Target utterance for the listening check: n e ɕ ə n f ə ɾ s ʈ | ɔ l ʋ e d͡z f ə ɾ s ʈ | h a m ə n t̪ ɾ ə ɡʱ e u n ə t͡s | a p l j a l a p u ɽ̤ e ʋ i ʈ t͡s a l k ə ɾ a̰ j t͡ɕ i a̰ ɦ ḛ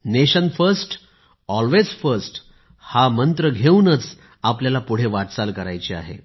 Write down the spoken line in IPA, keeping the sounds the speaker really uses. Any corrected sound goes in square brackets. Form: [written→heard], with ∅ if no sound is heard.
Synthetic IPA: n e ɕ ə n f ə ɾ s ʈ | ɔ l ʋ e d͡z f ə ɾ s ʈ | h a m ə n t̪ ɾ ə ɡʱ e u n ə t͡s | a p l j a l a p u ɽ̤ e ʋ [i→a] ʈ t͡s a l k ə ɾ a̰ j t͡ɕ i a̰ ɦ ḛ